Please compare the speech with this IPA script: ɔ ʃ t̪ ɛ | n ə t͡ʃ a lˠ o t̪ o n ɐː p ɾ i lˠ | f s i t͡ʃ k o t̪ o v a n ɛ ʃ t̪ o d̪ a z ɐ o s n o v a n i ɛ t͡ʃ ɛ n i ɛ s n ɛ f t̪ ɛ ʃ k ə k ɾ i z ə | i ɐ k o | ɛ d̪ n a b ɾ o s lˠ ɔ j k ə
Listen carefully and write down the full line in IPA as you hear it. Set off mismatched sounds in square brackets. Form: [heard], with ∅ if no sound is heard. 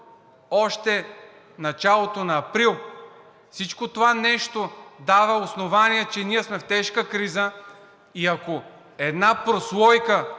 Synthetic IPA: ɔ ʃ t̪ ɛ | n [ɐ] t͡ʃ a lˠ o t̪ o n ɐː p ɾ i lˠ | f s i t͡ʃ k o t̪ o v a n ɛ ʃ t̪ o d̪ a [v] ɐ o s n o v a n i ɛ t͡ʃ ɛ n i ɛ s [m] ɛ f t̪ ɛ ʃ k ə k ɾ i z ə | i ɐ k o | ɛ d̪ n a [p] ɾ o s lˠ ɔ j k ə